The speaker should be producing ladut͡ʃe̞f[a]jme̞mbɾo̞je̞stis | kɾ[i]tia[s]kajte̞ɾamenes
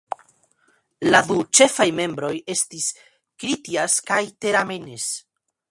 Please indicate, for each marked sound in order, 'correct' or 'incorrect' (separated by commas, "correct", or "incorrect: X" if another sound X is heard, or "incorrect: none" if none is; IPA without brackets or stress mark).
correct, correct, correct